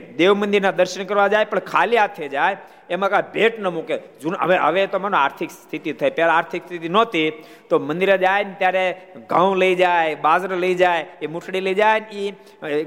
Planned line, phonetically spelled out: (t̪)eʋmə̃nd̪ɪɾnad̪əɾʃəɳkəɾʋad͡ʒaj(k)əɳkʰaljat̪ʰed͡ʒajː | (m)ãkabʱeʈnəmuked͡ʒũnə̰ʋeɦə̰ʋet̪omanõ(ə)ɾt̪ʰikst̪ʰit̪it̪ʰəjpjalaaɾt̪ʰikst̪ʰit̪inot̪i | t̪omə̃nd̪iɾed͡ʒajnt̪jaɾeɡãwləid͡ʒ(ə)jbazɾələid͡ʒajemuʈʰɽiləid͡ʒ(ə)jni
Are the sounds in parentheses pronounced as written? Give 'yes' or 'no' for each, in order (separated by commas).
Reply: no, no, yes, no, no, no